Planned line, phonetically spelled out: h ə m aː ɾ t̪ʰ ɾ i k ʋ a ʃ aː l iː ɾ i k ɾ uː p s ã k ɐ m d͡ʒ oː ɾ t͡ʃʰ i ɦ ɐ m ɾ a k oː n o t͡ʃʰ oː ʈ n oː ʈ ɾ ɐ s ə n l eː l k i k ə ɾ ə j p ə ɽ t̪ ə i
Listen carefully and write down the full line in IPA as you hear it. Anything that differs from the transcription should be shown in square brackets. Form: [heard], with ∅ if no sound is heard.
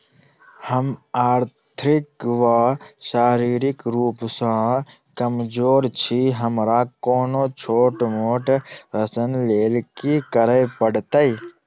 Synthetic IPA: h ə m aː ɾ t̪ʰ ɾ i k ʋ a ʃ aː [ɾ] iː ɾ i k ɾ uː p s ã k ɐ m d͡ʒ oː ɾ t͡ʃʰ i ɦ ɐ m ɾ a k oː n o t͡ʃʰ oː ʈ [m] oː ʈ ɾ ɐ s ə n l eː l k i k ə ɾ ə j p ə ɽ t̪ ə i

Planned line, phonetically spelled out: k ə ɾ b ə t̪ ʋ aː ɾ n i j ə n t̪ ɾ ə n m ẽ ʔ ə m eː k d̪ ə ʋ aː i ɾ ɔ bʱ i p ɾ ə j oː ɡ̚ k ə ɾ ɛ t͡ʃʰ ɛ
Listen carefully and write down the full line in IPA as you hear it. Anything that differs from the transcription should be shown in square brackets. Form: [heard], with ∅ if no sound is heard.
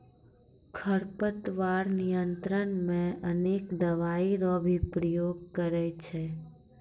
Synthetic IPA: [kʰ] ə ɾ [p] ə t̪ ʋ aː ɾ n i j ə n t̪ ɾ ə n m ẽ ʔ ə [n] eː k d̪ ə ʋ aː i ɾ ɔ bʱ i p ɾ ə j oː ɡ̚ k ə ɾ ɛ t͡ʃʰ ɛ

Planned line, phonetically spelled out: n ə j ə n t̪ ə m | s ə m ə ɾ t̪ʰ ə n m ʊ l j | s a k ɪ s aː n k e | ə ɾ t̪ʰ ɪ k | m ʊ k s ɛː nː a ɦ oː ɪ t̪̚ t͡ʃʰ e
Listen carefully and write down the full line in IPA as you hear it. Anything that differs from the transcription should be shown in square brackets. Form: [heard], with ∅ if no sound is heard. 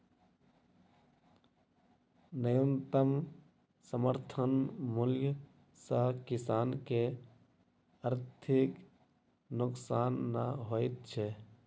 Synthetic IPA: n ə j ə n t̪ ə m | s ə m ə ɾ t̪ʰ ə n m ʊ l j | s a k ɪ s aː n k e | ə ɾ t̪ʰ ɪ k | [n] ʊ k s [aː] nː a ɦ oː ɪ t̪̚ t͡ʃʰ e

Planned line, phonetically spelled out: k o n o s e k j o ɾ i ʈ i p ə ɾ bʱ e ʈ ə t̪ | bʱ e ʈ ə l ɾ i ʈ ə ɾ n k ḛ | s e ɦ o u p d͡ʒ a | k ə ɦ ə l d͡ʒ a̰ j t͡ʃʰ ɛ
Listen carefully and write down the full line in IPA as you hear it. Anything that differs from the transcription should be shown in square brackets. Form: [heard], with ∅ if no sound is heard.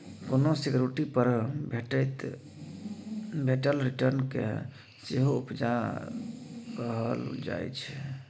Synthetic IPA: k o n o s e k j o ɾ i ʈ i p ə ɾ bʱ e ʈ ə t̪ | bʱ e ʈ ə l ɾ i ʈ ə ɾ n k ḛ | s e ɦ o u p d͡ʒ a | k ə ɦ ə l d͡ʒ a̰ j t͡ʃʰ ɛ

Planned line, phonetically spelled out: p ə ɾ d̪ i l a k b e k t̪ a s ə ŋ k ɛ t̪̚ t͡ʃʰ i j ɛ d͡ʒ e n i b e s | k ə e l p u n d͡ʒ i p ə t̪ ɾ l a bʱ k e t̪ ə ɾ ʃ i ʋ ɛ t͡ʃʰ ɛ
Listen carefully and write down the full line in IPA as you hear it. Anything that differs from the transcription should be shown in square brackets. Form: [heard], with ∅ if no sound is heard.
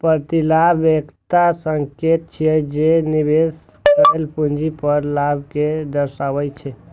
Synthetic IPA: p ə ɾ [t̪] i l a [∅] b e k t̪ a s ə ŋ k [e] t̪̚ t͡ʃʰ i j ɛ d͡ʒ e n i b e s | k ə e l p u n d͡ʒ i p ə [∅] ɾ l a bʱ k e [d̪] ə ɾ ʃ [a] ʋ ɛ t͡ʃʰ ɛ

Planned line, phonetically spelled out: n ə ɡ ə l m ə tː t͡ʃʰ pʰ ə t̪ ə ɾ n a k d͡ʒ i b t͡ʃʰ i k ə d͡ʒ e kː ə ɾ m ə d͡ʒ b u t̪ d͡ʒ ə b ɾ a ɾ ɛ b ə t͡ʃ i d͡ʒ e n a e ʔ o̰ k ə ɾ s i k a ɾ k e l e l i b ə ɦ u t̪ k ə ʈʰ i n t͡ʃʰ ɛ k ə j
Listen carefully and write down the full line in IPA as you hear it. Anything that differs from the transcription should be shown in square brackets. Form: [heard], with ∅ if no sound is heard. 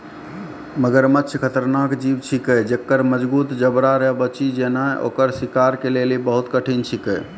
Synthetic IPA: [m] ə ɡ ə [ɾ] m ə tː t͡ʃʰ [kʰ] ə t̪ ə ɾ n a k d͡ʒ i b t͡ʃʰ i k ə d͡ʒ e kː ə ɾ m ə d͡ʒ b u t̪ d͡ʒ ə b ɾ a ɾ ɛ b ə t͡ʃ i d͡ʒ e n a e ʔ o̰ k ə ɾ s i k a ɾ k e l e l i b ə ɦ u t̪ k ə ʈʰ i n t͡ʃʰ [i] k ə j

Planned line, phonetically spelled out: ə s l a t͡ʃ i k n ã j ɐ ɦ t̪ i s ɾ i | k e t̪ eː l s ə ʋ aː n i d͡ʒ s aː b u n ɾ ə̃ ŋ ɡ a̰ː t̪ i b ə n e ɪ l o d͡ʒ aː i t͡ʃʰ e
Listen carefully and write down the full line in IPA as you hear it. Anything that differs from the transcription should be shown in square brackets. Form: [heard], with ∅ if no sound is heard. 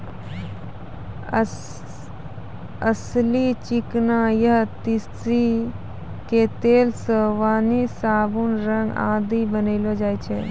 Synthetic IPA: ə s l [i] t͡ʃ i k n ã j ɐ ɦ t̪ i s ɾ i | k e t̪ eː l s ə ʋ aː n i [∅] s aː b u n ɾ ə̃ ŋ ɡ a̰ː [d̪] i b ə n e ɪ l o d͡ʒ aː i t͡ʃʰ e

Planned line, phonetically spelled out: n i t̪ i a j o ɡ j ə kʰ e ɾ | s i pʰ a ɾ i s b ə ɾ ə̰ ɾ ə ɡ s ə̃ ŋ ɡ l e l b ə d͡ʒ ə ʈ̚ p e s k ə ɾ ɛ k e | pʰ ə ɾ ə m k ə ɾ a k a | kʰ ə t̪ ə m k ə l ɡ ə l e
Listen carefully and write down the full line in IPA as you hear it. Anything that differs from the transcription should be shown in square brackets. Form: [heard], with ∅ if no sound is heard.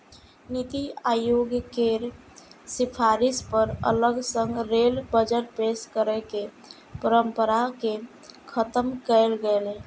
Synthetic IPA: n i t̪ i a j o ɡ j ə [k] e ɾ | s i pʰ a ɾ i s [p] ə ɾ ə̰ [l] ə ɡ s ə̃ ŋ ɡ [ɾ] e l b ə d͡ʒ ə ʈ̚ p e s k ə ɾ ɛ k e | [p] ə ɾ ə m [p] ə ɾ a k [e] | kʰ ə t̪ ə m k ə l ɡ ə l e

